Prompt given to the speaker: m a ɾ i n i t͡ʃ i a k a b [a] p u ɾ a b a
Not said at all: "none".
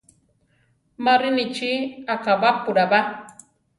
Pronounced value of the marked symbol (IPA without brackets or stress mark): a